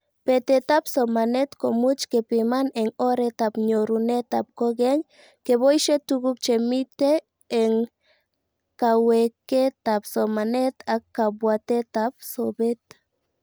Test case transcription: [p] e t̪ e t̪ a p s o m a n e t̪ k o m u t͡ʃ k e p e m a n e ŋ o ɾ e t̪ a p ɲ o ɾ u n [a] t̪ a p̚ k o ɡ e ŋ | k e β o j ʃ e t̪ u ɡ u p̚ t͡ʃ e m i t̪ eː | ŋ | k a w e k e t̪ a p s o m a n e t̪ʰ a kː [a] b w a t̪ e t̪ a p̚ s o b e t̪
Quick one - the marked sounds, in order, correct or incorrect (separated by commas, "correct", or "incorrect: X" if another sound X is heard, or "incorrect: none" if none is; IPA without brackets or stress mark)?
correct, incorrect: e, correct